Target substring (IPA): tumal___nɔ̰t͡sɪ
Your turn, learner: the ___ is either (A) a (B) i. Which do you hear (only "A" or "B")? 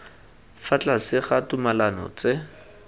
A